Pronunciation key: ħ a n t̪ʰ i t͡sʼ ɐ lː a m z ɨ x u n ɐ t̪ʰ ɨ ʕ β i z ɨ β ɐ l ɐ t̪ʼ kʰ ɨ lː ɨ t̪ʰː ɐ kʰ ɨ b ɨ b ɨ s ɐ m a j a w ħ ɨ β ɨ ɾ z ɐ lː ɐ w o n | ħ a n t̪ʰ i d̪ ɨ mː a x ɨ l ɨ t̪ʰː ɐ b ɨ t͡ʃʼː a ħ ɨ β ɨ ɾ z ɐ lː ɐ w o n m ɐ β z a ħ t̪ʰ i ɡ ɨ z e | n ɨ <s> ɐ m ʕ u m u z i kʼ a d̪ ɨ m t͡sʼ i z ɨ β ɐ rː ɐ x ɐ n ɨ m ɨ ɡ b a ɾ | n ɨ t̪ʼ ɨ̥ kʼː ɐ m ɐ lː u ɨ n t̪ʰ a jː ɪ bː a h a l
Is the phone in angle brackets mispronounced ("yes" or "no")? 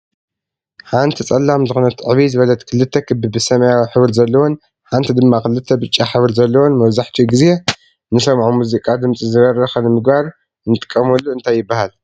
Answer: no